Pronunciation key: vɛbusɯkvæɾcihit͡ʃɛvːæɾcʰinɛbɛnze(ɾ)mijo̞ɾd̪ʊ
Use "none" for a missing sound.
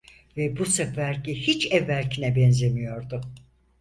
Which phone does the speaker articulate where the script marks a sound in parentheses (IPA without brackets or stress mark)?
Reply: none